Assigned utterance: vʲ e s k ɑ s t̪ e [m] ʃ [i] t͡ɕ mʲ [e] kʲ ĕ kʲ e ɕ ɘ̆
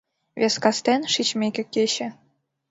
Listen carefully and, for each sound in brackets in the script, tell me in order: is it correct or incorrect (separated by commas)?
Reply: incorrect, correct, correct